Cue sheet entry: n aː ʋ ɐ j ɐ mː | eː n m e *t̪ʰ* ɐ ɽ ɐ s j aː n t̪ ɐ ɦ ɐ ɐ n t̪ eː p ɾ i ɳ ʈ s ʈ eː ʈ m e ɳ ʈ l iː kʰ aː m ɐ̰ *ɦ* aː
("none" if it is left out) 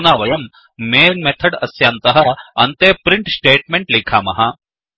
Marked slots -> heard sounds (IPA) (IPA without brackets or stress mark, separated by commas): t̪ʰ, ɦ